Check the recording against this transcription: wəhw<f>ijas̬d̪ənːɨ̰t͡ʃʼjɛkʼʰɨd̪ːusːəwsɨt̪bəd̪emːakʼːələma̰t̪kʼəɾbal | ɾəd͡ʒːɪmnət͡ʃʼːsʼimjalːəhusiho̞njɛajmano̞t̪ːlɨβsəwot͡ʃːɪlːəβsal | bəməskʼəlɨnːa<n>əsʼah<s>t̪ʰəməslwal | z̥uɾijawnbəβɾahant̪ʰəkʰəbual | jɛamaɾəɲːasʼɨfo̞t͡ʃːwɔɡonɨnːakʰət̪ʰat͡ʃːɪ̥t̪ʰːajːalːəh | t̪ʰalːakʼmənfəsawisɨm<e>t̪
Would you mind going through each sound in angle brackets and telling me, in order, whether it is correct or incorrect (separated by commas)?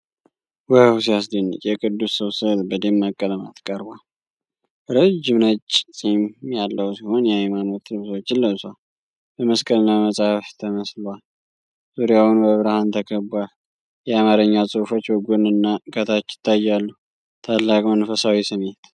incorrect, incorrect, incorrect, correct